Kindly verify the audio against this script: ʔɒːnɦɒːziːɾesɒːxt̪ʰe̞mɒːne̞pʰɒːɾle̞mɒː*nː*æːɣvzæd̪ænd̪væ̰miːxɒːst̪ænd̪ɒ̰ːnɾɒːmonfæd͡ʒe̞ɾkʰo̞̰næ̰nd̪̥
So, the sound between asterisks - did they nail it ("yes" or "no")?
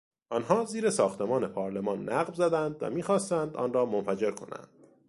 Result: yes